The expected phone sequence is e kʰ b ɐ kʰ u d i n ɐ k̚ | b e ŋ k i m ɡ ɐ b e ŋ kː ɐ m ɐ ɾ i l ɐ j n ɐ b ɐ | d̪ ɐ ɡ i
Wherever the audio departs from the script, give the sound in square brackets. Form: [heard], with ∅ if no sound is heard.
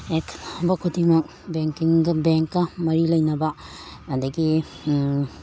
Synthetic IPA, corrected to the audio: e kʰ b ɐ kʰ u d i [m] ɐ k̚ | b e ŋ k i [ŋ] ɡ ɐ b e ŋ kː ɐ m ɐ ɾ i l ɐ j n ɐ b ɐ | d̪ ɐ ɡ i